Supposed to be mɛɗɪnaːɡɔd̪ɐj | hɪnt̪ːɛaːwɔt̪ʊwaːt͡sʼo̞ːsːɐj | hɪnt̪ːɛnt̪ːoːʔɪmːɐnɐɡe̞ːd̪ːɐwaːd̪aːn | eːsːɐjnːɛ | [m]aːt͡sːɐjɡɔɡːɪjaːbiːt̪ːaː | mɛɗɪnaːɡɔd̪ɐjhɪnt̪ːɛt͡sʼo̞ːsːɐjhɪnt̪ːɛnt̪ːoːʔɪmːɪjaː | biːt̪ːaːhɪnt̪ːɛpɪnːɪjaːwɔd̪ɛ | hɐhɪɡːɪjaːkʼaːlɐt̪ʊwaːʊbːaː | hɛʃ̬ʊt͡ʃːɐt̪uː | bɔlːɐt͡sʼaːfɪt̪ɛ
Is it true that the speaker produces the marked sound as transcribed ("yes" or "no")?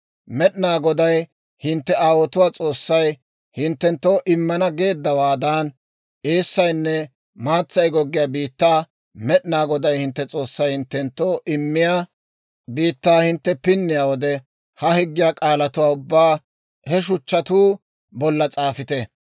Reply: yes